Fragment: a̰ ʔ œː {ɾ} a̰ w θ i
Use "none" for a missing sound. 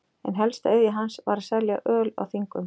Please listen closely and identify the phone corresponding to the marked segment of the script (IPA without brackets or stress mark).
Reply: l